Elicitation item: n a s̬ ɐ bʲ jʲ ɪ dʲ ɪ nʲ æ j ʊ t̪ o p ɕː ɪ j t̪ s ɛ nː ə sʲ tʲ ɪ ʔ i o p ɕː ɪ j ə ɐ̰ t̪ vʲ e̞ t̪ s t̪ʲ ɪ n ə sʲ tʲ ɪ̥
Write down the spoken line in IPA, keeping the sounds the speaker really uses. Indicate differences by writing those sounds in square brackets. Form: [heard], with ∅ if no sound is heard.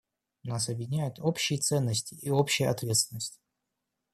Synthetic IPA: n a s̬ ɐ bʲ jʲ ɪ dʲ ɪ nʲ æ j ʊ t̪ o p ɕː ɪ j t̪ s ɛ nː ə sʲ tʲ ɪ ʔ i o p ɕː ɪ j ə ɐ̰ t̪ vʲ e̞ t̪ s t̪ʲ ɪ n ə sʲ tʲ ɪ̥